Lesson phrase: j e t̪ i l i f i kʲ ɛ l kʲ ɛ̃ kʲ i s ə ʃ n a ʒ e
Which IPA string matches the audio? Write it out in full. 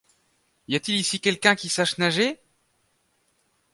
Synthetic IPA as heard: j a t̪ i l i s i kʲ ɛ l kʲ ɛ̃ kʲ i s a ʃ n a ʒ e